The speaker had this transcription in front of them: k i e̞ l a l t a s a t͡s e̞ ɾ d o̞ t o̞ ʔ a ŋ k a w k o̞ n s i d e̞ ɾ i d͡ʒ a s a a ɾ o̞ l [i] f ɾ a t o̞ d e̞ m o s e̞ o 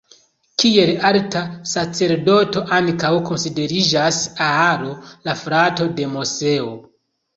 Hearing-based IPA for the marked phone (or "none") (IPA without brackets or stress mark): a